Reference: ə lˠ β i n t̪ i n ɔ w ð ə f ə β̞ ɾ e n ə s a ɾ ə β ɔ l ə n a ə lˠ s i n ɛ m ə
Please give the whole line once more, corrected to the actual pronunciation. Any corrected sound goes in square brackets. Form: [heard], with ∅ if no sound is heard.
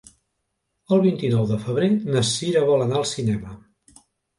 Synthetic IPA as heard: ə lˠ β i n t̪ i n ɔ w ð ə f ə β̞ ɾ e n ə s [i] ɾ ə β ɔ l ə n a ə lˠ s i n ɛ m ə